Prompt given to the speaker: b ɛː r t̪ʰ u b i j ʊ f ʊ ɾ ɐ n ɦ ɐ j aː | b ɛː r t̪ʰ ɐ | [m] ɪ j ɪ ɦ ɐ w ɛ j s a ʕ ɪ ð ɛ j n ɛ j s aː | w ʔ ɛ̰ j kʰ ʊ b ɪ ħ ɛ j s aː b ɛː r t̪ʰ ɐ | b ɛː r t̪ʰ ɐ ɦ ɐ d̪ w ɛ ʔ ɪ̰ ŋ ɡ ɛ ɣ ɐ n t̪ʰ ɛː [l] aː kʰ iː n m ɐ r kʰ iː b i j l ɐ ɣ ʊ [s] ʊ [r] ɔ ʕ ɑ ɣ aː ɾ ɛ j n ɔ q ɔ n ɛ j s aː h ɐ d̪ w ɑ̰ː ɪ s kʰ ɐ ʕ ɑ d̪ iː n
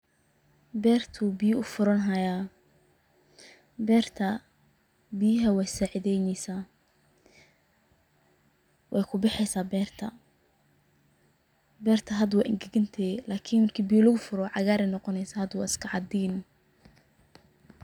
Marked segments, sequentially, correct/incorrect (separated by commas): incorrect, correct, incorrect, incorrect